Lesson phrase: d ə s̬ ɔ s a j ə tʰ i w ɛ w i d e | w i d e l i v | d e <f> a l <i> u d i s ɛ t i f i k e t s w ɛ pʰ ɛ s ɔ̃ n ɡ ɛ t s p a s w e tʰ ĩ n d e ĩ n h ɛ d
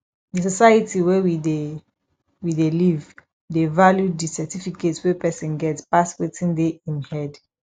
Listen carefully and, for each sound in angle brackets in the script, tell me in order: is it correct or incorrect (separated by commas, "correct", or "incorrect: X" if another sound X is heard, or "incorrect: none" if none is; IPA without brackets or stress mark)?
incorrect: v, incorrect: j